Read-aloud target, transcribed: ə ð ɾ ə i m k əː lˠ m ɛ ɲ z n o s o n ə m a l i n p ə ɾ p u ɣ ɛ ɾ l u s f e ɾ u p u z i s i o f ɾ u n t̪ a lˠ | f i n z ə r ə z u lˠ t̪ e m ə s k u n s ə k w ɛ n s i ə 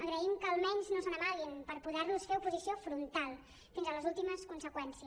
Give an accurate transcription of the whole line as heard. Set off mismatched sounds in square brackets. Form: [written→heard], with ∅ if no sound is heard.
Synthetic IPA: ə [ð→ɣ] ɾ ə i m k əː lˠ m ɛ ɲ z n o s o n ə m a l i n p ə ɾ p u [ɣ→ð] ɛ ɾ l u s f e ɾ u p u z i s i o f ɾ u n t̪ a lˠ | f i n z ə [r→l] ə z u lˠ t̪ [e→i] m ə s k u n s ə k w ɛ n s i ə